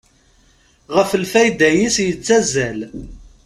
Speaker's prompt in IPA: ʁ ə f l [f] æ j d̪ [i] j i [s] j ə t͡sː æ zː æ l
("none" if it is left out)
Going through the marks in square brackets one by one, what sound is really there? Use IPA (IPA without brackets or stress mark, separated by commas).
f, æ, s